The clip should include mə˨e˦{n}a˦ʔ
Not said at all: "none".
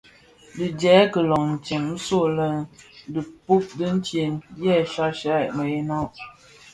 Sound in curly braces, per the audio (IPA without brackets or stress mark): n